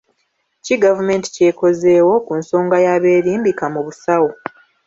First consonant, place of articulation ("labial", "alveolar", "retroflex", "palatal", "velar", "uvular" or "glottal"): palatal